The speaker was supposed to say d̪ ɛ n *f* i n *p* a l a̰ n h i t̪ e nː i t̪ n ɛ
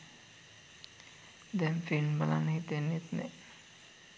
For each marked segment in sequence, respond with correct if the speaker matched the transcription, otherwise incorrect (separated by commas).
correct, incorrect